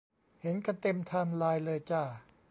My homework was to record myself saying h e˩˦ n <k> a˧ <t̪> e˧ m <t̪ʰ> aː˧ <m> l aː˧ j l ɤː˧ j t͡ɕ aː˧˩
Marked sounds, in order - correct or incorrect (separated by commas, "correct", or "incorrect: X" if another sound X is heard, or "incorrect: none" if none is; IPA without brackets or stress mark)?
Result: correct, correct, correct, correct